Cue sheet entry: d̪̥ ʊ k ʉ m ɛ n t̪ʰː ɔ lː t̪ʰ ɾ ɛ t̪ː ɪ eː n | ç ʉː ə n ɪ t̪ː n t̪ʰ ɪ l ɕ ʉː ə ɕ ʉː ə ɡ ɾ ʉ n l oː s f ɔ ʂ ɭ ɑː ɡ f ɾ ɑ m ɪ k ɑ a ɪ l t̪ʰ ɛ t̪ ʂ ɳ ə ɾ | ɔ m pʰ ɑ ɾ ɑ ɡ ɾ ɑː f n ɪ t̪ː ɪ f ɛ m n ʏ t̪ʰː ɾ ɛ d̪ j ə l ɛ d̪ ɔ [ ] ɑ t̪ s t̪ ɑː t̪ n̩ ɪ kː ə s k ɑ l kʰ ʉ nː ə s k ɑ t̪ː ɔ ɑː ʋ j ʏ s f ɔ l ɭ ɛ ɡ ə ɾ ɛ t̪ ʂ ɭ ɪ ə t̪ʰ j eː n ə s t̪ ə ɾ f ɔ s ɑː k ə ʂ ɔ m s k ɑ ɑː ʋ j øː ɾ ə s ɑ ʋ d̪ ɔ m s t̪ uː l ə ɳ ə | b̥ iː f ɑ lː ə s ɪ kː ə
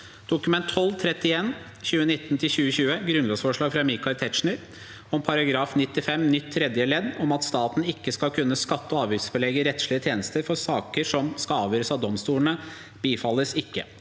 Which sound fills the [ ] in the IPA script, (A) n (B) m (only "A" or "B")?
B